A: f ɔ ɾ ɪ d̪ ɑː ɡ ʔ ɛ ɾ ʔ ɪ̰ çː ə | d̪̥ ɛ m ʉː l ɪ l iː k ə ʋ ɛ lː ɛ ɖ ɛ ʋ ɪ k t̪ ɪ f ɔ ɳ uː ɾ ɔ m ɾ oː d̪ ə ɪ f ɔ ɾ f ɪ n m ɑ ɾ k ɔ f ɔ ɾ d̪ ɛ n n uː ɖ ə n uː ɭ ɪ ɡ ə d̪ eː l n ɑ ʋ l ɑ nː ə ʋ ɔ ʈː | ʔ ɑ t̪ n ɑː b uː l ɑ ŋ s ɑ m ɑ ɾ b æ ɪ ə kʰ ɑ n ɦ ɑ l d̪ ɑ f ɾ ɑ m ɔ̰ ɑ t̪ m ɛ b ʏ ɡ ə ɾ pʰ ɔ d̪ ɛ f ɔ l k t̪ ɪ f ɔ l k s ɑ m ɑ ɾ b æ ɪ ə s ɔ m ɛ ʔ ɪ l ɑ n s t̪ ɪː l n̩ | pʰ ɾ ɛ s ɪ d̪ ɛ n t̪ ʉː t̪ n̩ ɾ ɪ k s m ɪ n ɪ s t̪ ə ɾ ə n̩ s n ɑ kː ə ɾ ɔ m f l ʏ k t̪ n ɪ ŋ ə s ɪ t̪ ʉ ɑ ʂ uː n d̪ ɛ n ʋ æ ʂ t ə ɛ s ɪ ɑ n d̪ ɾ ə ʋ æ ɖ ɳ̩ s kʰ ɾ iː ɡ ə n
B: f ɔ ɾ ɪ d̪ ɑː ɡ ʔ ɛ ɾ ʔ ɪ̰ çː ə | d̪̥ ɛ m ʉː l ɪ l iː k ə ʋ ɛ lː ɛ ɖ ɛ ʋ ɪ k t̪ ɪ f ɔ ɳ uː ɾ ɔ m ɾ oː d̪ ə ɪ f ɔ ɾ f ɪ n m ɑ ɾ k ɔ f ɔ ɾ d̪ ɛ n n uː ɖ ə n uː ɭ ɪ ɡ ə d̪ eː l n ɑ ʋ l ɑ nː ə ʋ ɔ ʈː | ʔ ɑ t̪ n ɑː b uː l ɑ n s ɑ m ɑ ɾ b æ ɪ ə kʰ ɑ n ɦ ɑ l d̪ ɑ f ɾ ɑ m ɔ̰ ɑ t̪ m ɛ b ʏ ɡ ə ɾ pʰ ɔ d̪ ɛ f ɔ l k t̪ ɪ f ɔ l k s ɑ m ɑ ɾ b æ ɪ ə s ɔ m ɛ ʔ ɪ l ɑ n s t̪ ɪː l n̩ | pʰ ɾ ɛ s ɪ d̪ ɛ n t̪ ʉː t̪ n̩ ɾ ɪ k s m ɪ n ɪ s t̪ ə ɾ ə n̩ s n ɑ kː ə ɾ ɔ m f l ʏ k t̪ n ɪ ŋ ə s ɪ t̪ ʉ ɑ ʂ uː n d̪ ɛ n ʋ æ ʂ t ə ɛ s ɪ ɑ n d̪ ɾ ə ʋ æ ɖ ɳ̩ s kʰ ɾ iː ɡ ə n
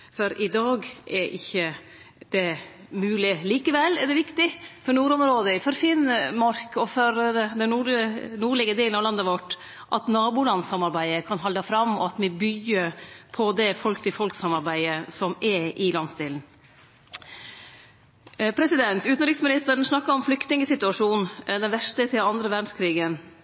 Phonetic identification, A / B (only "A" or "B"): B